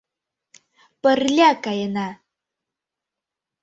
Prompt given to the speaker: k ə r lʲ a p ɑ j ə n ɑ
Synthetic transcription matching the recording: p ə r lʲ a k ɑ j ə n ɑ

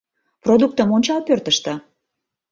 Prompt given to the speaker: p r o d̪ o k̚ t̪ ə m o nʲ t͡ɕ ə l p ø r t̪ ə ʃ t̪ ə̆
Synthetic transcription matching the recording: p r o d̪ u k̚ t̪ ə m o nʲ t͡ɕ ɑ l p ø r t̪ ə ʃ t̪ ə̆

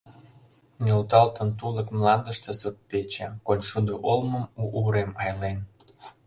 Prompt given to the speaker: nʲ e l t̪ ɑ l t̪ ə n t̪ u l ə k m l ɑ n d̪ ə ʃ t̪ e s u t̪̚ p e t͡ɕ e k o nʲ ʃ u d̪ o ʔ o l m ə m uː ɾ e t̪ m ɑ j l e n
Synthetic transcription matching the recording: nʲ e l t̪ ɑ l t̪ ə n t̪ u l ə k m l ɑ n d̪ ə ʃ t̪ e s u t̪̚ p e t͡ɕ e k o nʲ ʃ u d̪ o ʔ o l m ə m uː ɾ e m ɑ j l e n

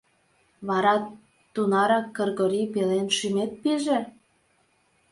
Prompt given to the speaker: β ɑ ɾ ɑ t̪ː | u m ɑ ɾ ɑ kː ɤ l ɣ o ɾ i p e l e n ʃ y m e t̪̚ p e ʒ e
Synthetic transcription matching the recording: β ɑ ɾ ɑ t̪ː | u n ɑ ɾ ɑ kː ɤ r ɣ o ɾ i p e l e n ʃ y m e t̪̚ p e ʒ e

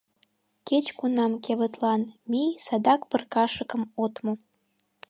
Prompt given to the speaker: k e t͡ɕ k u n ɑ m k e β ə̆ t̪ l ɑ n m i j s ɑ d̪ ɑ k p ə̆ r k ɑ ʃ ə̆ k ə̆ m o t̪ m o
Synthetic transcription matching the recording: k e t͡ɕ k u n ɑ m k e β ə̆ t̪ l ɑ n m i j s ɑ d̪ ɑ k p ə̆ r k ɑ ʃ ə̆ k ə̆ m o t̪ m o

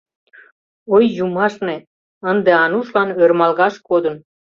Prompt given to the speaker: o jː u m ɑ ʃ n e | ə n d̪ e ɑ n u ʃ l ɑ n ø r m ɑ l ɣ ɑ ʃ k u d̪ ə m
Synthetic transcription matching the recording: o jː u m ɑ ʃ n e | ə n d̪ e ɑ n u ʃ l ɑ n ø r m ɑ l ɣ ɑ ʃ k o d̪ ə n

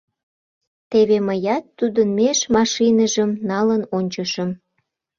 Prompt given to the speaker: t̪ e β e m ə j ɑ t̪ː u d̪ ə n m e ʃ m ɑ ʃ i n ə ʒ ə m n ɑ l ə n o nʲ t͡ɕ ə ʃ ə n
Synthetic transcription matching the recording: t̪ e β e m ə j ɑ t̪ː u d̪ ə n m e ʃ m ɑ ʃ i n ə ʒ ə m n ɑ l ə n o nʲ t͡ɕ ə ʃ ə m

